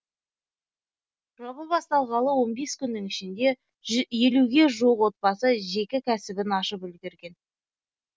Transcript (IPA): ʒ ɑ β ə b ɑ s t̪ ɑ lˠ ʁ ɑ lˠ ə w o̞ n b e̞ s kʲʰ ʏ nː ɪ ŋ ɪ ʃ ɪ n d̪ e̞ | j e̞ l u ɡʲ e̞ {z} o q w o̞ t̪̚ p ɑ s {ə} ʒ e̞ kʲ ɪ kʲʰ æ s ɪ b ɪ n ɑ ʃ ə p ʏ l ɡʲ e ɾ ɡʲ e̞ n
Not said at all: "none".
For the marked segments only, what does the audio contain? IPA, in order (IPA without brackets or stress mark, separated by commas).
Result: ʒ, ə